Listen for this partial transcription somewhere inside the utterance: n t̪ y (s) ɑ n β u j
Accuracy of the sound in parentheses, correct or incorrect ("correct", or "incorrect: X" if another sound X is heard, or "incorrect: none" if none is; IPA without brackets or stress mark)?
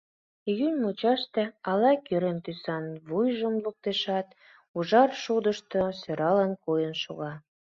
correct